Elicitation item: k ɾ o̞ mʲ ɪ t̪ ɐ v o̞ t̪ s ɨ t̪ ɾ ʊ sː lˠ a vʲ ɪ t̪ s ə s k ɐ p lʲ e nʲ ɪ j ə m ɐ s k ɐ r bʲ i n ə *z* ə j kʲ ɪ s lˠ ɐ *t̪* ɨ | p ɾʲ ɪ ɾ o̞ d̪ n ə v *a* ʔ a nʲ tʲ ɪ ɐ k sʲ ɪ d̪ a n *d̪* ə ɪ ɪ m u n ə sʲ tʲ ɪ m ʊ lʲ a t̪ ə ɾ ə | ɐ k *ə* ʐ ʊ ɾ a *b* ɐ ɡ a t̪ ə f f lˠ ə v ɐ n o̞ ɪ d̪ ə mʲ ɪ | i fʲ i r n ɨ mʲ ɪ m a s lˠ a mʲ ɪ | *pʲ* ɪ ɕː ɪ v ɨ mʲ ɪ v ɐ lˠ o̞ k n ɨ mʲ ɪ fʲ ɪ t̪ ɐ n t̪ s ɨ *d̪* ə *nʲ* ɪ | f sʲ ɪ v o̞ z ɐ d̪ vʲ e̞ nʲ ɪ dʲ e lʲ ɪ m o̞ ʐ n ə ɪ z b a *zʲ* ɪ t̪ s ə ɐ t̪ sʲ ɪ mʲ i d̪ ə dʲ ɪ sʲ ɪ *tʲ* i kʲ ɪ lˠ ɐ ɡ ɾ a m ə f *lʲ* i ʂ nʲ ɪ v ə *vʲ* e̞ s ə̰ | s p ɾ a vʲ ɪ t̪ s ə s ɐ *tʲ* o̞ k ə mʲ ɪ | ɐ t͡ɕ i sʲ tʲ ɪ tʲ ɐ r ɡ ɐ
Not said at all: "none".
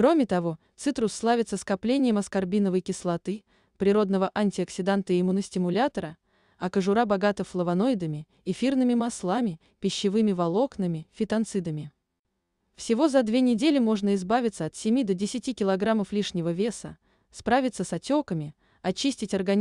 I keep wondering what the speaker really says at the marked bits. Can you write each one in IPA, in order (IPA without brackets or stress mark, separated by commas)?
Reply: v, t̪, ə, t̪, ə, b, pʲ, d̪, mʲ, vʲ, tʲ, lʲ, vʲ, tʲ